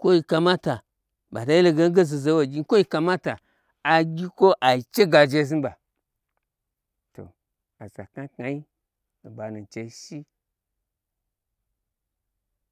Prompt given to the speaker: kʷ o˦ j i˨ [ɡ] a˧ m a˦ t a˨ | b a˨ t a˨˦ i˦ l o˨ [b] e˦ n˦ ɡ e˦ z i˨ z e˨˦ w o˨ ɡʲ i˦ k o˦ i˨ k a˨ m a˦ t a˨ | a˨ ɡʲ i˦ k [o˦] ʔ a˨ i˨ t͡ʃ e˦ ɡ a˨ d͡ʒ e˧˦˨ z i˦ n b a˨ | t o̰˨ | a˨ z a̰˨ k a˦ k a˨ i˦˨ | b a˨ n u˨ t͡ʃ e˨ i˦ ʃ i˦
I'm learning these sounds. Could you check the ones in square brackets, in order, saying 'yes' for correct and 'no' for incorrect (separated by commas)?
no, no, yes